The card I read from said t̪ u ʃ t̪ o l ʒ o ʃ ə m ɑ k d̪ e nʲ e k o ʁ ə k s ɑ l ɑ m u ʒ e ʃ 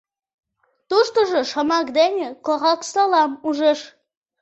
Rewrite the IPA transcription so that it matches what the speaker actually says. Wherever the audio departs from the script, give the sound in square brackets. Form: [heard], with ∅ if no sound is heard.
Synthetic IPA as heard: t̪ u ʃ t̪ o [∅] ʒ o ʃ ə m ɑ k d̪ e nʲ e k o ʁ [ɑ] k s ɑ l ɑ m u ʒ e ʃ